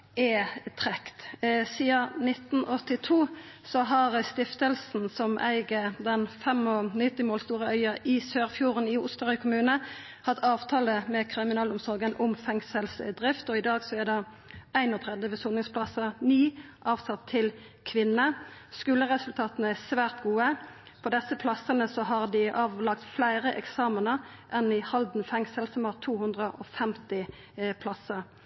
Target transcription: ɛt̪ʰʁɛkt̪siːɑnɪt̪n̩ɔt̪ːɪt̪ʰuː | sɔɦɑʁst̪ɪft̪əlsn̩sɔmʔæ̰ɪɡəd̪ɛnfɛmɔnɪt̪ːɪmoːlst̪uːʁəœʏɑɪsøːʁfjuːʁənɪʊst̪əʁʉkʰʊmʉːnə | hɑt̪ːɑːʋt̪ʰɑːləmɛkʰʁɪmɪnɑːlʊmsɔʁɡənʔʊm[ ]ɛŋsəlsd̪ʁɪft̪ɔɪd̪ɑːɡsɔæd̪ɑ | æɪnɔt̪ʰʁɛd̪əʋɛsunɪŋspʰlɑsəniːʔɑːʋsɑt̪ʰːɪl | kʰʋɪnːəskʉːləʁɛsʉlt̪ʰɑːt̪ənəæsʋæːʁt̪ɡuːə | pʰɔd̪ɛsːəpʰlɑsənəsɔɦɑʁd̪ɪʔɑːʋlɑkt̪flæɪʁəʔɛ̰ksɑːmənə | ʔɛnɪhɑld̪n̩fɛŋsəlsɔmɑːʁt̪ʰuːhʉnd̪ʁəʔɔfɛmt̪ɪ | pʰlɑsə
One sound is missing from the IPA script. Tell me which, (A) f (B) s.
A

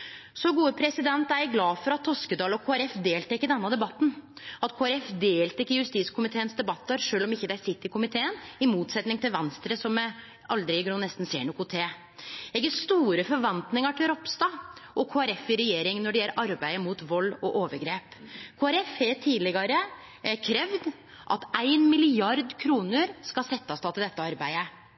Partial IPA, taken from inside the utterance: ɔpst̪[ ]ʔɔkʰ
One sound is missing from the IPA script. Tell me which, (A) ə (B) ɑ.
B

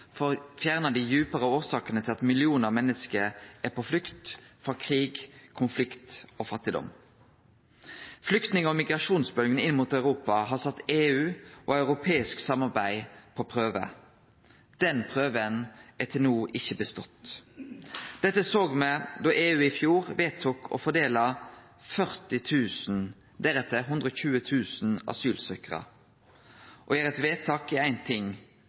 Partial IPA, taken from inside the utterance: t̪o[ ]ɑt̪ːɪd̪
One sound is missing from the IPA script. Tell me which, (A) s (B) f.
B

